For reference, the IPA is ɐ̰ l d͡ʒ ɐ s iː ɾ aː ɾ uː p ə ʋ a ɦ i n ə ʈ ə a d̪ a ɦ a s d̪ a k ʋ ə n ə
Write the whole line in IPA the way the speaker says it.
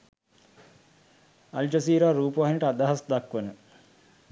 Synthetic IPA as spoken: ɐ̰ l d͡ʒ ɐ s iː ɾ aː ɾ uː p ə ʋ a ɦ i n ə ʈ ə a d̪ a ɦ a s d̪ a k ʋ ə n ə

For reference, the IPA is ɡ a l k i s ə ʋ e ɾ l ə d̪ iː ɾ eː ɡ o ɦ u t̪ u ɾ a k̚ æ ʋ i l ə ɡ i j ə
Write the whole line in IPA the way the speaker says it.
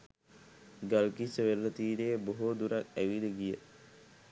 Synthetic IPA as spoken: ɡ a l k i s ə ʋ e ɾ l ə t̪ iː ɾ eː b o ɦ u d̪ u ɾ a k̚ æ ʋ i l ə ɡ i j ə

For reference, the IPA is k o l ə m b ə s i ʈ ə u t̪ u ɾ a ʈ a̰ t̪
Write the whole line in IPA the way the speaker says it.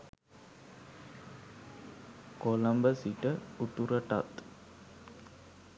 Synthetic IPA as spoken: k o l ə m b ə s i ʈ ə u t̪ u ɾ ə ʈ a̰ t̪

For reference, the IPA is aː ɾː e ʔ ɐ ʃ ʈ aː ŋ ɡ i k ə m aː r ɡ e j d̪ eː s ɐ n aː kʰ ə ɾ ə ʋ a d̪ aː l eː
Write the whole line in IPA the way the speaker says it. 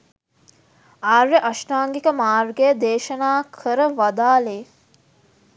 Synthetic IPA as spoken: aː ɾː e ʔ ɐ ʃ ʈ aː ŋ ɡ i k ə m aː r ɡ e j d̪ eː ʃ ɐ n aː kʰ ə ɾ ə ʋ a d̪ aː l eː

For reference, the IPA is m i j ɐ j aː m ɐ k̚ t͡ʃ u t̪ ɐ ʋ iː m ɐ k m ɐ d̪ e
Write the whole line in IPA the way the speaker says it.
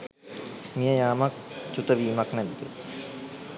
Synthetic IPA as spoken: m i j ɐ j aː m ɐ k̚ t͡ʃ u t̪ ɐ ʋ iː m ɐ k n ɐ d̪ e

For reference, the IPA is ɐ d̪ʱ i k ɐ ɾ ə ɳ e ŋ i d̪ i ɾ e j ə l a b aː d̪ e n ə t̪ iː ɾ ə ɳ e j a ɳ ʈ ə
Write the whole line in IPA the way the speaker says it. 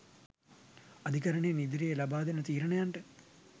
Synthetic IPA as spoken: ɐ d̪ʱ i k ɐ ɾ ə ɳ e n i d̪ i ɾ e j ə l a b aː d̪ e n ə t̪ iː ɾ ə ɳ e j a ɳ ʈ ə

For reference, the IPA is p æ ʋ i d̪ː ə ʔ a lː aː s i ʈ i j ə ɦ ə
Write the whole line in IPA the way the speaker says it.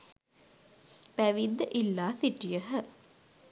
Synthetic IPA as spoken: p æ ʋ i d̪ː ə ʔ i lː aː s i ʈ i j ə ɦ ə

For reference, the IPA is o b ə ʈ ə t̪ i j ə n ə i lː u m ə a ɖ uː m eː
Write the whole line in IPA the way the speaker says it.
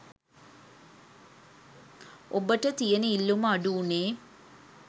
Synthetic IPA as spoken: o b ə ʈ ə t̪ i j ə n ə i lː u m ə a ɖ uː n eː

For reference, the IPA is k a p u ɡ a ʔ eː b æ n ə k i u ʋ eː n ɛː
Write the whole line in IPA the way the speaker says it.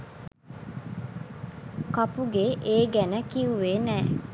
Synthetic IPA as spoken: k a p u ɡ e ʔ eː ɡ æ n ə k i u ʋ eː n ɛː

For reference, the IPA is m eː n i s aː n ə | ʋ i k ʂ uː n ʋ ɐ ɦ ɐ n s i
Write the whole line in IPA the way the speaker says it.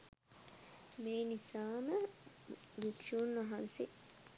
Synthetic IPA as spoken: m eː n i s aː m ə | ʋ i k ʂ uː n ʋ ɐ ɦ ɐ n s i

